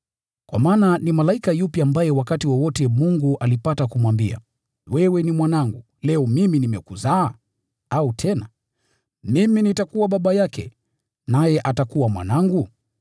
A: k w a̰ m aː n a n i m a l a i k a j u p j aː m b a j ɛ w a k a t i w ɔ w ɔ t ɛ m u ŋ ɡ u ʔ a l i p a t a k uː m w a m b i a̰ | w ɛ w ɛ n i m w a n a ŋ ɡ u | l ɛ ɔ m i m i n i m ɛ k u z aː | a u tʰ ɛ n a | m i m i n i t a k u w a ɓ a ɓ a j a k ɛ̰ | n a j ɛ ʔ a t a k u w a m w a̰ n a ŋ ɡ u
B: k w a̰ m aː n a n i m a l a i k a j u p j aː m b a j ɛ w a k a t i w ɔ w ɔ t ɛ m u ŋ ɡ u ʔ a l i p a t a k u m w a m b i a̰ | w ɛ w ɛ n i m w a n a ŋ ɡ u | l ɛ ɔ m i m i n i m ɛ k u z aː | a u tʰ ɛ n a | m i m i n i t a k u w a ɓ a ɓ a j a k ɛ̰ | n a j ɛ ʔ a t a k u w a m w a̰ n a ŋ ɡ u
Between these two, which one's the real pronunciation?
B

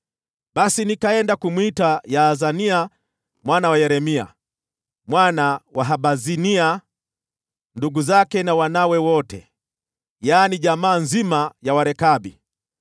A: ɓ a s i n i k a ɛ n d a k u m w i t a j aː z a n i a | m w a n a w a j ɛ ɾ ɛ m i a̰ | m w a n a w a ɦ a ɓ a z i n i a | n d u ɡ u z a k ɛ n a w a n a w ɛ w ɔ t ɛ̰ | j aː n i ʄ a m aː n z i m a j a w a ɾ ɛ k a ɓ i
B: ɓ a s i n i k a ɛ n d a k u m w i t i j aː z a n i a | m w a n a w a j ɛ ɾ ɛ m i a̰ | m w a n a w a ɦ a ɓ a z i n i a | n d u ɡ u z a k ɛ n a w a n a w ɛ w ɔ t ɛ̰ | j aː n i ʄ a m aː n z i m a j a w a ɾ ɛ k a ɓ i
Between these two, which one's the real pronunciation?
A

